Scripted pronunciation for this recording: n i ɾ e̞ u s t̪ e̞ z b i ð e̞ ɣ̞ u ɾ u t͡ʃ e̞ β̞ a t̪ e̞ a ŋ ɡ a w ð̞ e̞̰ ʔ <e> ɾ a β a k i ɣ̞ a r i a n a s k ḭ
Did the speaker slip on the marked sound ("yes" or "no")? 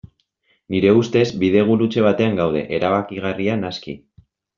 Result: no